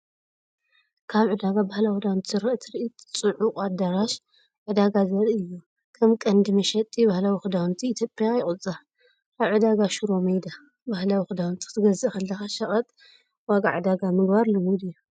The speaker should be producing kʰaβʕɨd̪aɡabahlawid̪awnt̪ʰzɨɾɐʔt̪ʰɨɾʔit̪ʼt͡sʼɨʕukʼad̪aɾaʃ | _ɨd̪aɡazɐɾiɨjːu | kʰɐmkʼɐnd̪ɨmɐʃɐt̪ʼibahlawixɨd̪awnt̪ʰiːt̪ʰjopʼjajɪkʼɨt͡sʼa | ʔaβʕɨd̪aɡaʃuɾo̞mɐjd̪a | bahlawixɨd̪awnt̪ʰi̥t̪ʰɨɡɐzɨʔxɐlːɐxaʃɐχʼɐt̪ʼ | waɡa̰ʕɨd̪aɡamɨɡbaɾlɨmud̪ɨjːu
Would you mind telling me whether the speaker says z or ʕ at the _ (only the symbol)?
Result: ʕ